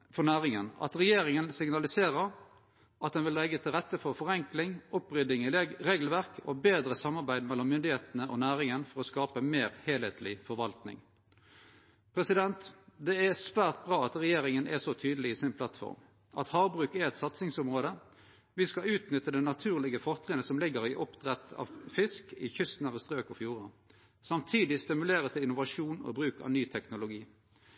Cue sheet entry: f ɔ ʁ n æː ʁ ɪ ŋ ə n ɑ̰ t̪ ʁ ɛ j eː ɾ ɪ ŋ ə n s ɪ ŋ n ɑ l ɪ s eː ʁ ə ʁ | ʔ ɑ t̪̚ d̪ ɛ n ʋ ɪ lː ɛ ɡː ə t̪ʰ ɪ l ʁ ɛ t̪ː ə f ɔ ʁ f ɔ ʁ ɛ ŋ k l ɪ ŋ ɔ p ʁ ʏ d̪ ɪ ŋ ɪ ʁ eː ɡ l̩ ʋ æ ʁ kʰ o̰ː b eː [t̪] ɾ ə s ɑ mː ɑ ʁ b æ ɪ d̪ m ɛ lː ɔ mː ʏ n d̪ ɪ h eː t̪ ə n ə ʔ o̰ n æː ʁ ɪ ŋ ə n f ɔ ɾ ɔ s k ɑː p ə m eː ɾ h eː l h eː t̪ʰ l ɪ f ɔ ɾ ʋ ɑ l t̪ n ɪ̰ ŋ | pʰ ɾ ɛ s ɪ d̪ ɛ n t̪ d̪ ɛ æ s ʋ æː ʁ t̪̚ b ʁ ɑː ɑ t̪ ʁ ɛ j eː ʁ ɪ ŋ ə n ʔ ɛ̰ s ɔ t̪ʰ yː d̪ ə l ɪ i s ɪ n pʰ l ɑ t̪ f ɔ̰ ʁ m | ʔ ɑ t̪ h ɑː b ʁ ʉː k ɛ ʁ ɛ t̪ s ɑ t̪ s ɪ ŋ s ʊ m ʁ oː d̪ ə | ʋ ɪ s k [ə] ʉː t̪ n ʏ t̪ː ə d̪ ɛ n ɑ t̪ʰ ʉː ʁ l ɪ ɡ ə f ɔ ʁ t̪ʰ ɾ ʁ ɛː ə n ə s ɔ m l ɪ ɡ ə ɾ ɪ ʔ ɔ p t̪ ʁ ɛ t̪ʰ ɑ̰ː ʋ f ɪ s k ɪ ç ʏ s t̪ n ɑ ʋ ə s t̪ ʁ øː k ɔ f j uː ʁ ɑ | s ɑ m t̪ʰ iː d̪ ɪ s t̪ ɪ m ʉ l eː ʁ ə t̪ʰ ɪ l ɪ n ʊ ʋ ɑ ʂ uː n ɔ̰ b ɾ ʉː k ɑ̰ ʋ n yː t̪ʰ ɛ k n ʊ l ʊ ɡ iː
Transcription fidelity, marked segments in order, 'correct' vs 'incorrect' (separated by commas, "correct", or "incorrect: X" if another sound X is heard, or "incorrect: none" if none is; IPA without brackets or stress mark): incorrect: d̪, incorrect: ɑ